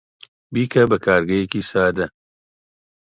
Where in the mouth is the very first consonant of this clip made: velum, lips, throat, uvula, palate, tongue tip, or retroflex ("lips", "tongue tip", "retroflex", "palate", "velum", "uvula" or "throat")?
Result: lips